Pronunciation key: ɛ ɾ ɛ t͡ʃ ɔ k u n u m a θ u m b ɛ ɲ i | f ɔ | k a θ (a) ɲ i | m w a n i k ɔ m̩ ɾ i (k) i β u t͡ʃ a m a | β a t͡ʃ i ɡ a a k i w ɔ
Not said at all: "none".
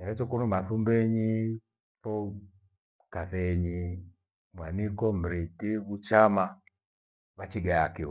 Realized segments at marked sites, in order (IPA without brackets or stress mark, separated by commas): ɛ, t